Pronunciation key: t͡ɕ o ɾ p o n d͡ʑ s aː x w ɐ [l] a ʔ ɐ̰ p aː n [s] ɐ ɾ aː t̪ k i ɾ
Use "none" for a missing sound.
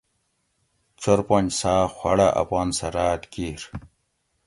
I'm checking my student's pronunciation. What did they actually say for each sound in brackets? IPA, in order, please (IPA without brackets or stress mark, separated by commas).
ɽ, s